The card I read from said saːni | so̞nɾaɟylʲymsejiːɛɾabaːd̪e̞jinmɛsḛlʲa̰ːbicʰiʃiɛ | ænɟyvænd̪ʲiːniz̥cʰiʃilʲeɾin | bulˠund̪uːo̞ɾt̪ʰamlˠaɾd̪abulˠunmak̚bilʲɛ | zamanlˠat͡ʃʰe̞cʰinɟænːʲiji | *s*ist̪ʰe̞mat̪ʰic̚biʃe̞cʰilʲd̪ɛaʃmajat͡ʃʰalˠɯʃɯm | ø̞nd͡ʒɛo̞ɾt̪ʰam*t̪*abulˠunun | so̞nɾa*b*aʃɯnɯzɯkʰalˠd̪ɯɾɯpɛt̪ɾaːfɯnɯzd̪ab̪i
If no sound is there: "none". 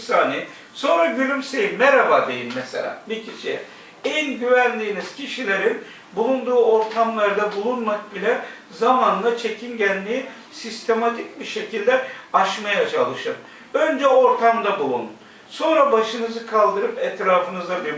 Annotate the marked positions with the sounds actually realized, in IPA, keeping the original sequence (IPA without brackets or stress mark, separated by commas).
s, d̪, b